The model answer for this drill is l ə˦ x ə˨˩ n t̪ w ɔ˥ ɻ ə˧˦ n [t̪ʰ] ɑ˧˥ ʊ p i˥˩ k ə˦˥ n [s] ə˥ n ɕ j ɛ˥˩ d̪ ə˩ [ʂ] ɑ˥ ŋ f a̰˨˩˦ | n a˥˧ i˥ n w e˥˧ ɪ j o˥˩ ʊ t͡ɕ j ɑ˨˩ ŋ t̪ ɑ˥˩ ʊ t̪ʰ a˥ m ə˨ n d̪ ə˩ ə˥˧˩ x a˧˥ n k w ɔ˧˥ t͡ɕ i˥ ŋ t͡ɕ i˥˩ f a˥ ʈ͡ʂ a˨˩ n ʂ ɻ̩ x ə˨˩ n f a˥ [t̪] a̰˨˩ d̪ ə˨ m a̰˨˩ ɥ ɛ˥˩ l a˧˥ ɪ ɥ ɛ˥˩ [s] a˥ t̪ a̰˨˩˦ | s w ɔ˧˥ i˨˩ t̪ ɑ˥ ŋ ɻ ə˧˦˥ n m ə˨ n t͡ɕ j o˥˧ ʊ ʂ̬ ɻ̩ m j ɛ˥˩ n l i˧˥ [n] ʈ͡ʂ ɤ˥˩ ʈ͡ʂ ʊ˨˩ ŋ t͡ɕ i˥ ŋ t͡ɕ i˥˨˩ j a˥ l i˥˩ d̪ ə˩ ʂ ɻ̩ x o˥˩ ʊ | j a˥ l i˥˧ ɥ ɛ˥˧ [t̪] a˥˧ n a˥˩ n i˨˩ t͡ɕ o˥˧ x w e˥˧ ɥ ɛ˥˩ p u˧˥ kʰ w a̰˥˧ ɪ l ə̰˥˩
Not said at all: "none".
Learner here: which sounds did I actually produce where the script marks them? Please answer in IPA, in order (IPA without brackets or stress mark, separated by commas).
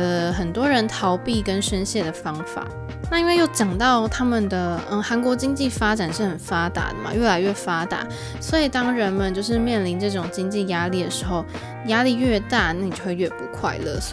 t̪ʰ, ʂ, f, t̪, f, n, t̪